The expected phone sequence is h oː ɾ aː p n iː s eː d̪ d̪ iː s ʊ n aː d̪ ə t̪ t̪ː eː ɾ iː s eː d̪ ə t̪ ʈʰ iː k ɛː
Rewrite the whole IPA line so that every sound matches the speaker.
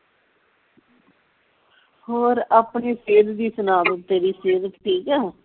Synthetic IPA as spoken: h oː ɾ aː p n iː s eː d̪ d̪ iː s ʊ n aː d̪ ə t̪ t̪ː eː ɾ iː s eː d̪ ə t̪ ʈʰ iː k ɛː